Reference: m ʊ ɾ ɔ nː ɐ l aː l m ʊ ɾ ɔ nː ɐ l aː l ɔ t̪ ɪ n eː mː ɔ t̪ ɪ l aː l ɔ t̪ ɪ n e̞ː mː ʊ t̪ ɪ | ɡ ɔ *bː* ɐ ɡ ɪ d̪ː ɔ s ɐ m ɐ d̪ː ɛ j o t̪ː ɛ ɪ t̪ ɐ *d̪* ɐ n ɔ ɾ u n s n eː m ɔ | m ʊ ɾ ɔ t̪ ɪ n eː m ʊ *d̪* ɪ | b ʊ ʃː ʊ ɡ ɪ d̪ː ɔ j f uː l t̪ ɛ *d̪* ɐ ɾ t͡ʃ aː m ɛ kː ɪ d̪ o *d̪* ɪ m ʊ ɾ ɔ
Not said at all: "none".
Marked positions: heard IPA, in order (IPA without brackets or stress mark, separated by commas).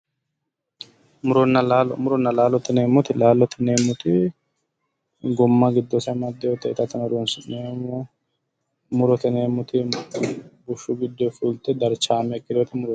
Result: mː, t̪, t̪, d̪, t̪